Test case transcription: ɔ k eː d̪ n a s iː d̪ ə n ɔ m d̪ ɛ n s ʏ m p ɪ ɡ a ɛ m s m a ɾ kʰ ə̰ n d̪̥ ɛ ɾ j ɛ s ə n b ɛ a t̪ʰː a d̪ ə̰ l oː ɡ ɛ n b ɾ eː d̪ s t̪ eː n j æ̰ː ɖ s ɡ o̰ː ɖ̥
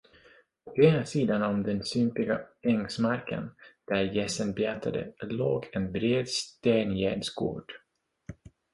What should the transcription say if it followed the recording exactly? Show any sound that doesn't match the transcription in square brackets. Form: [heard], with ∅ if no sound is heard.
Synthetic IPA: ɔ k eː [∅] n a s iː d̪ [a] n ɔ m d̪ ɛ n s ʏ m p ɪ ɡ a ɛ [ŋ] s m a ɾ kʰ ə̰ n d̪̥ [æ] ɾ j ɛ s ə n b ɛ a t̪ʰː a d̪ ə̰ l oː ɡ ɛ n b ɾ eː d̪ s t̪ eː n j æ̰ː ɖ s ɡ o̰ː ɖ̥